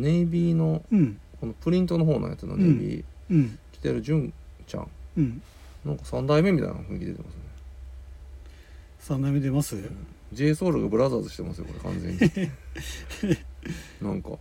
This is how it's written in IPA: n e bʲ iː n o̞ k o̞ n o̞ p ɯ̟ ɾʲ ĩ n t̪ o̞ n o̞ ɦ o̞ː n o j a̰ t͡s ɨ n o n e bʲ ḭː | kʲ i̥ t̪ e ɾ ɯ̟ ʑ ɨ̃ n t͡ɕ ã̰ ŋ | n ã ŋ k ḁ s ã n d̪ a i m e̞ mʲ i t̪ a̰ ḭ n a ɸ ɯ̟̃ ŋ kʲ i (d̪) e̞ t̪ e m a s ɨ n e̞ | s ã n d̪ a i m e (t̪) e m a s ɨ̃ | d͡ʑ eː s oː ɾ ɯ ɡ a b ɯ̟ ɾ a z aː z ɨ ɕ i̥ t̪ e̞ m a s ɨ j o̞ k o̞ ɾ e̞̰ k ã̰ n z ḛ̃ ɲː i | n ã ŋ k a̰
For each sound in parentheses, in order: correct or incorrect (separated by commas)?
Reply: correct, incorrect